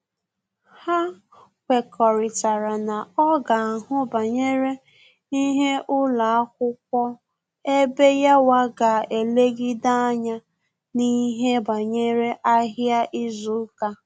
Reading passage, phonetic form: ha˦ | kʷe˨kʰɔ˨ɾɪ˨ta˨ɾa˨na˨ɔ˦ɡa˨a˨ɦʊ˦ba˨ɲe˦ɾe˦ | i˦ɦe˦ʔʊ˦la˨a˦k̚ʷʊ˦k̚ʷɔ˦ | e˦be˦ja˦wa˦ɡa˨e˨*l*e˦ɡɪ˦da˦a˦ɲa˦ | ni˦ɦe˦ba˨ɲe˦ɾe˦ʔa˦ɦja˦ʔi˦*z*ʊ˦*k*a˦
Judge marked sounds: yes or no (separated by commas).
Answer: yes, yes, yes